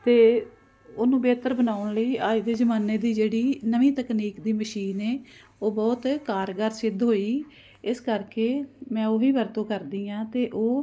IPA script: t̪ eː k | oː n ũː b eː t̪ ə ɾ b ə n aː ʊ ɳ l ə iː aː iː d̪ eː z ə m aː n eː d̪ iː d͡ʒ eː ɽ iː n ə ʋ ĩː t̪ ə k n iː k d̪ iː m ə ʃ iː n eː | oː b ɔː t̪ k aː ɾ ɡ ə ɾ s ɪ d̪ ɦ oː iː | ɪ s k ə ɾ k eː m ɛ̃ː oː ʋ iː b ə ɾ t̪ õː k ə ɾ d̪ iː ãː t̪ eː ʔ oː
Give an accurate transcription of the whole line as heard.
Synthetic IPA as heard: t̪ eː | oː n ũː b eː t̪ ə ɾ b ə n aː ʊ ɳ l ə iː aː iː d̪ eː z ə m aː n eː d̪ iː d͡ʒ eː ɽ iː n ə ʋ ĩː t̪ ə k n iː k d̪ iː m ə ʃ iː n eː | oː b ɔː t̪ k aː ɾ ɡ ə ɾ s ɪ d̪ ɦ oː iː | ɪ s k ə ɾ k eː m ɛ̃ː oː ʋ iː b ə ɾ t̪ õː k ə ɾ d̪ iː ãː t̪ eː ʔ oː

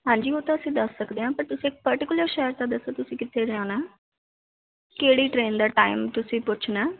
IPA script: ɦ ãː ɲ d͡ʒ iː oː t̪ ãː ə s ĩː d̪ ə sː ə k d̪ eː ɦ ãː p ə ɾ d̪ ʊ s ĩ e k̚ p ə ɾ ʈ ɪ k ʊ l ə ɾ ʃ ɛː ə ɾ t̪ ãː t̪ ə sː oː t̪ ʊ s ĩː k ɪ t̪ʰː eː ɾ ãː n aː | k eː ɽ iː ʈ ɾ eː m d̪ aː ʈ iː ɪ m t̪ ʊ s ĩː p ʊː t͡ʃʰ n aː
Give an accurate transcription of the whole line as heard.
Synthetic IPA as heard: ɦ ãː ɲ d͡ʒ iː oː t̪ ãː ə s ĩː d̪ ə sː ə k d̪ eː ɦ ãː p ə ɾ t̪ ʊ s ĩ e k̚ p ə ɾ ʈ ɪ k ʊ l ə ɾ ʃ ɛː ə ɾ t̪ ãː d̪ ə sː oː t̪ ʊ s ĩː k ɪ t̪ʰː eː ɾ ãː n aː | k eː ɽ iː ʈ ɾ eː n d̪ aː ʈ aː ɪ m t̪ ʊ s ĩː p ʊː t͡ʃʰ n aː

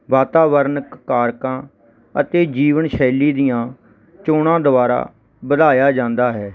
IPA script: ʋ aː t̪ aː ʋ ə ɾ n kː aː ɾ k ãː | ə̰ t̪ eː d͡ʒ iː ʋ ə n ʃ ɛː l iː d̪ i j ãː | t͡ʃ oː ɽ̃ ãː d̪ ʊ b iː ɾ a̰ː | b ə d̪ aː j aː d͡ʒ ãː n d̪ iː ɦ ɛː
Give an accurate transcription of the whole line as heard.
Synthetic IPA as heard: ʋ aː t̪ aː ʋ ə ɾ n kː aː ɾ k ãː | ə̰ t̪ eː d͡ʒ iː ʋ ə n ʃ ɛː l iː d̪ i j ãː | t͡ʃ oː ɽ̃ ãː d̪ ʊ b aː ɾ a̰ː | b ə d̪ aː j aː d͡ʒ ãː n d̪ aː ɦ ɛː

